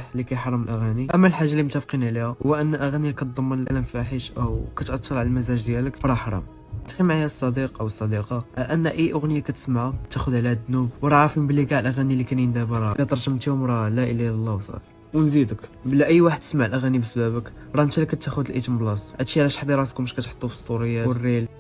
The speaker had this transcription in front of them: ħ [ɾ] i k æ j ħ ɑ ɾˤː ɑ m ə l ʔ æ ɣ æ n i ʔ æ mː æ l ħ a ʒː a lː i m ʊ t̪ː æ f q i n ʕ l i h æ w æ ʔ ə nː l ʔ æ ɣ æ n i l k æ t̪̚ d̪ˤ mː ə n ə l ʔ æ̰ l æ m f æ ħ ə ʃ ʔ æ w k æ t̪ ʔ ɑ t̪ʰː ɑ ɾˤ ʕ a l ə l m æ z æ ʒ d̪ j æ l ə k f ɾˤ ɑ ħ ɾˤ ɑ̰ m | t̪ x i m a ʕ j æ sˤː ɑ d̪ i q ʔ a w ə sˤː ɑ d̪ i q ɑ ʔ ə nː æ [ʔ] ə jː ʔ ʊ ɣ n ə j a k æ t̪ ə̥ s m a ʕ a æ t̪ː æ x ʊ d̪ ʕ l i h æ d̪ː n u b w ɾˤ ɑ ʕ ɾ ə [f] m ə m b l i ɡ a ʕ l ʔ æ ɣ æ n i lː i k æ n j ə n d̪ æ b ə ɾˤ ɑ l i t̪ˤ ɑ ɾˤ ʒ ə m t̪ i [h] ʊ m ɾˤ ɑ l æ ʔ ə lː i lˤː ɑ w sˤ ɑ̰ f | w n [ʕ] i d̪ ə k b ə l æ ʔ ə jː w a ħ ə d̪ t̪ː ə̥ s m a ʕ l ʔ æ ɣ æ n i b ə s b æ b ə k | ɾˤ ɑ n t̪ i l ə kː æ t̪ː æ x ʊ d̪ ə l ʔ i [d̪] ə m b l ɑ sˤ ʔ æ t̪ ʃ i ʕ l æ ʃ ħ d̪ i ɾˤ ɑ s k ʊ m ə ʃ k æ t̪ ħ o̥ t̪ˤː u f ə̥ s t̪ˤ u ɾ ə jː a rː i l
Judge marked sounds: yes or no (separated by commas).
no, yes, yes, yes, no, no